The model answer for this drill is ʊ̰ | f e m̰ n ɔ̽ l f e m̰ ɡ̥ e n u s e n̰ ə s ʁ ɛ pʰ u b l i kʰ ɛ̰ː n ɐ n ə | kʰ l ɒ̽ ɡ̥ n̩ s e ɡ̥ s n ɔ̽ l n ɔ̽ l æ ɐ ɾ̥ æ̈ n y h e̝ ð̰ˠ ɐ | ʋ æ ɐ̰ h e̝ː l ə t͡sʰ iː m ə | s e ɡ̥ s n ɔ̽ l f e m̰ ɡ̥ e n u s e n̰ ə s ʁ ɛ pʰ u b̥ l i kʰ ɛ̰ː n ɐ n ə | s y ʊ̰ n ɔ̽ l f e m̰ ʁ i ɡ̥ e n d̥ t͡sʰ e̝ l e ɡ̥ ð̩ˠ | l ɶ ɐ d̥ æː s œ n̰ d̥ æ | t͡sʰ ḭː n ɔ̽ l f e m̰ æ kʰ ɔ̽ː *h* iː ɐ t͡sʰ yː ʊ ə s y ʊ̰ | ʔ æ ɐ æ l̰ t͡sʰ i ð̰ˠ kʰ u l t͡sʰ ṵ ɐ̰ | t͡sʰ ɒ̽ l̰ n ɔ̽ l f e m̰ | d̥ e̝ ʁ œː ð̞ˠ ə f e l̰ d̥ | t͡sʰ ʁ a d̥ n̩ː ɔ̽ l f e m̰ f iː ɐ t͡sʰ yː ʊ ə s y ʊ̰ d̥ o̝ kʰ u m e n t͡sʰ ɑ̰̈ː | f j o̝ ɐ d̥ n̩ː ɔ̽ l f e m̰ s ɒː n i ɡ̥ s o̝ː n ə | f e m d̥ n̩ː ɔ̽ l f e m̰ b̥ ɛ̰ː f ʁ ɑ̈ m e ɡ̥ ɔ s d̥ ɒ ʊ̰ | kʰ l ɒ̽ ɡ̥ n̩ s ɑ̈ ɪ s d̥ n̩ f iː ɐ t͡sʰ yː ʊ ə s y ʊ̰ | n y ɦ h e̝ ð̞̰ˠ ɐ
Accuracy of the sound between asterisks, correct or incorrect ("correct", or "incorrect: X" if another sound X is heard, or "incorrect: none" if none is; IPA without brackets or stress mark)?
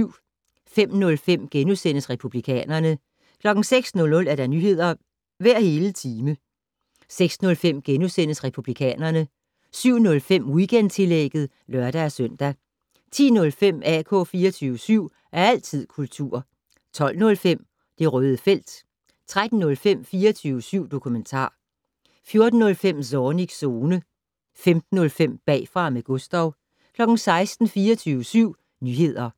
incorrect: f